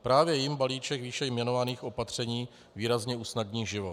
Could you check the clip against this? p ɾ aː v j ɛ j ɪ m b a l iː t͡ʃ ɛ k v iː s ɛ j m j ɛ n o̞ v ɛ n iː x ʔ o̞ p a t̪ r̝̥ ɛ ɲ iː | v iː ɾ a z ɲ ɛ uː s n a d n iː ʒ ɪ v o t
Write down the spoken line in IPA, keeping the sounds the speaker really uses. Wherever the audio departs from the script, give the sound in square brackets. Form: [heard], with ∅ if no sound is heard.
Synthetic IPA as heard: p ɾ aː v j ɛ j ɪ m b a l iː t͡ʃ ɛ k v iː [ʃ] ɛ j m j ɛ n o̞ v [a] n iː x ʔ o̞ p a t̪ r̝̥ ɛ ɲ iː | v iː ɾ a z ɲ ɛ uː s n a d [ɲ] iː ʒ ɪ v o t